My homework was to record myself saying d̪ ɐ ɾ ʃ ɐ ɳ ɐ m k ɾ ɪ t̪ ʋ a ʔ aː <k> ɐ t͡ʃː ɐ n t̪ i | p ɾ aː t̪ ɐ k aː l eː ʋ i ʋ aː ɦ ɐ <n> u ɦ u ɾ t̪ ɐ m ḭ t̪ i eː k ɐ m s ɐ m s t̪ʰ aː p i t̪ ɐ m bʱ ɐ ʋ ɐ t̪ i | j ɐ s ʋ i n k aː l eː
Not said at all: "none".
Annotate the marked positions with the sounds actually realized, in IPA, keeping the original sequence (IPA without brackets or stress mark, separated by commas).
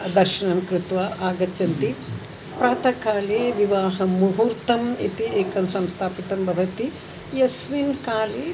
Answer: ɡ, m